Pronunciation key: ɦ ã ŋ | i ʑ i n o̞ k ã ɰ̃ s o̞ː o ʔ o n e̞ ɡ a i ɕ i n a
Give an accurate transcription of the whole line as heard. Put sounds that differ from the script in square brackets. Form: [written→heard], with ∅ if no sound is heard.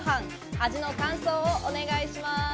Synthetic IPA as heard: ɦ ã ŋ | [i→a] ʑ i n o̞ k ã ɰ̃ s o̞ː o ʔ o n e̞ ɡ a i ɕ i [n→m] a